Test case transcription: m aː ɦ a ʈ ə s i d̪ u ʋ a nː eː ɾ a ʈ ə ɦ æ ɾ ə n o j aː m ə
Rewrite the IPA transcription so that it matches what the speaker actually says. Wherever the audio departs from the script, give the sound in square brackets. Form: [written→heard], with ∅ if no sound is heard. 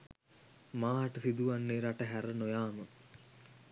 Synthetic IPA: m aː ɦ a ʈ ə s i d̪ u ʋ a nː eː ɾ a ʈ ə ɦ æ ɾ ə n o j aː m ə